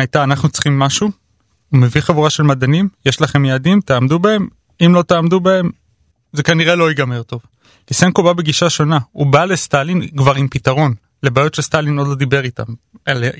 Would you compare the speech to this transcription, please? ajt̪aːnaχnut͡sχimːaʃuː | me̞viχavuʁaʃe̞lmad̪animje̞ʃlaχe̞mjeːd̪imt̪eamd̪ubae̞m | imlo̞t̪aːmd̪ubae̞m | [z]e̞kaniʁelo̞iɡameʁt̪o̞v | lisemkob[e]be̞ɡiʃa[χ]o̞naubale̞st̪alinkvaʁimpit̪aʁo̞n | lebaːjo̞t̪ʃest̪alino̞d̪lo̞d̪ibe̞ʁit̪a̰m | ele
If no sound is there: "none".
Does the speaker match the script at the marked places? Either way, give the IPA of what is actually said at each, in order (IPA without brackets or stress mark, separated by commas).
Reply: z, a, ʃ